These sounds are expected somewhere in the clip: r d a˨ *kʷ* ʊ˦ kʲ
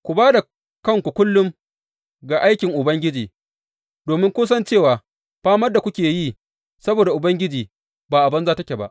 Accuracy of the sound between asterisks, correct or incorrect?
correct